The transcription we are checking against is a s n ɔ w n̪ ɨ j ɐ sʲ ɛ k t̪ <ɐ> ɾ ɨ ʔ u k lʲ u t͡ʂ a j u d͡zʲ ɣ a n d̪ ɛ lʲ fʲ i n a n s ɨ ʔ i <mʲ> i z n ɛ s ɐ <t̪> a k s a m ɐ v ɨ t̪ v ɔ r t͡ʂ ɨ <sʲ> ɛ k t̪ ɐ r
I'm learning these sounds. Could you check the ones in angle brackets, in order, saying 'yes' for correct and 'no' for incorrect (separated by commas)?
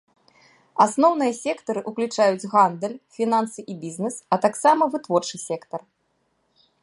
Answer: yes, no, yes, yes